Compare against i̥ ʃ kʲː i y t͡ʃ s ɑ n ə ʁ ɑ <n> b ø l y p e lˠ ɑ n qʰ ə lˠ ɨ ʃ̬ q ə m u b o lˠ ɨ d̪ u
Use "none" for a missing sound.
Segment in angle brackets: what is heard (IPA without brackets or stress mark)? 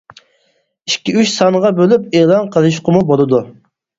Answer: none